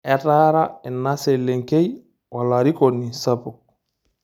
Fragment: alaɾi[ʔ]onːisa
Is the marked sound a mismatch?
yes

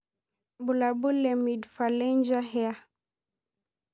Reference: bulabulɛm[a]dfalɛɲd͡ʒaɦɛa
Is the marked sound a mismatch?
yes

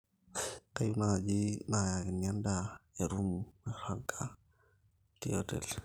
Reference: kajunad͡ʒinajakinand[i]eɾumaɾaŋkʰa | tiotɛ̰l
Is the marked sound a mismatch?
yes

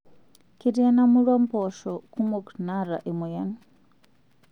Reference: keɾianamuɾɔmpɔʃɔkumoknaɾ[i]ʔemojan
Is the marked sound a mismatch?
yes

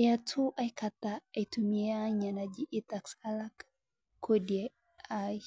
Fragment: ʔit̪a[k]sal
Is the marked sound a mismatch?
no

